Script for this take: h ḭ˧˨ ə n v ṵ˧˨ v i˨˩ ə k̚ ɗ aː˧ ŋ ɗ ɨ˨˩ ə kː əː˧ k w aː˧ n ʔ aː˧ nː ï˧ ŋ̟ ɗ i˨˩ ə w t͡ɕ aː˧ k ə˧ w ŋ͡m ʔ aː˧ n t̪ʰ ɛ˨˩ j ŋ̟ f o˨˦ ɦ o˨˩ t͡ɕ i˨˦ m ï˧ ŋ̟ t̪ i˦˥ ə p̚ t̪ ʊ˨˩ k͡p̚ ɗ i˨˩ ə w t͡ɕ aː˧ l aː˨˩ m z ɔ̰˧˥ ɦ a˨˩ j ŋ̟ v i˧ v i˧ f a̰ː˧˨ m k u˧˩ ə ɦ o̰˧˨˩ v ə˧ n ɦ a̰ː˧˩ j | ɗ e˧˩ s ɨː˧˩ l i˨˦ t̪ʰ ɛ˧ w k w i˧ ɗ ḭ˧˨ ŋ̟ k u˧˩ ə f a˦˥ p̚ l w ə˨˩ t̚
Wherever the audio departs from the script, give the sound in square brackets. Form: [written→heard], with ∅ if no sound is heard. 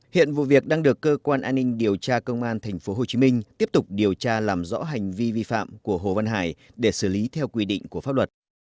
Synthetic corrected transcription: h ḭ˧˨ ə n v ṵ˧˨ v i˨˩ ə k̚ ɗ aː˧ ŋ ɗ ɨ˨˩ ə kː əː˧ k w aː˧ n ʔ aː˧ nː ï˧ ŋ̟ ɗ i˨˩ ə w t͡ɕ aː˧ k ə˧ w ŋ͡m ʔ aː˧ n t̪ʰ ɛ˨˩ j ŋ̟ f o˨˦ ɦ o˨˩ t͡ɕ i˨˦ m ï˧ ŋ̟ t̪ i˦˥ ə p̚ t̪ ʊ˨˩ k͡p̚ ɗ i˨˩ ə w t͡ɕ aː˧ l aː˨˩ m z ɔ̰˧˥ ɦ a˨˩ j ŋ̟ v i˧ v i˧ f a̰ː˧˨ m k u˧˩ ə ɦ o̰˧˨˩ v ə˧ n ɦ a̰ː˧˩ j | ɗ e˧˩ s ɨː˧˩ l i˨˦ t̪ʰ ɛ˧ w k w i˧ ɗ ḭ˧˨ ŋ̟ k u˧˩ ə f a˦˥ p̚ l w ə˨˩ t̚